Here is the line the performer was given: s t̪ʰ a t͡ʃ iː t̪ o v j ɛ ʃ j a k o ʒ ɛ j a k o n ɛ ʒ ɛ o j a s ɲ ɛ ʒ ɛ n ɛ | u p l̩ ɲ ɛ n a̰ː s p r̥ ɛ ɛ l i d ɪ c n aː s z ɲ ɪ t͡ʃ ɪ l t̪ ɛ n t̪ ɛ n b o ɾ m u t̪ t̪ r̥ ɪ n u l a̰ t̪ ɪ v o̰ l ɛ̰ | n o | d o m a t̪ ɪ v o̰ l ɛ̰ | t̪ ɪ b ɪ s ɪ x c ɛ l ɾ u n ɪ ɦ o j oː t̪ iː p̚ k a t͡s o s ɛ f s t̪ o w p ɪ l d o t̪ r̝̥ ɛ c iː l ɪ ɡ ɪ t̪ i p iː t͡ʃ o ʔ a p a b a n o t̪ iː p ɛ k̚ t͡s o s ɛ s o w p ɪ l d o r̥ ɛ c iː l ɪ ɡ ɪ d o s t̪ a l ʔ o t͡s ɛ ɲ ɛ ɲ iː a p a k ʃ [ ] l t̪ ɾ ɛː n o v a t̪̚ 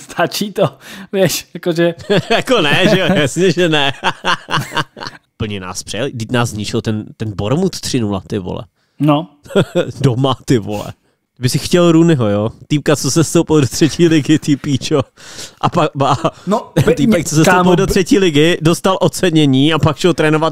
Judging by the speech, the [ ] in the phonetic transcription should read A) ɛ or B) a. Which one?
A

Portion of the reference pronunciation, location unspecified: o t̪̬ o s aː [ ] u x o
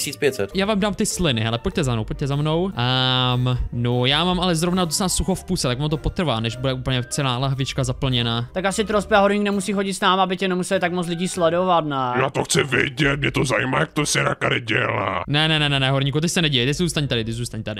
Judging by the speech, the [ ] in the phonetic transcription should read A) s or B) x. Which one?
A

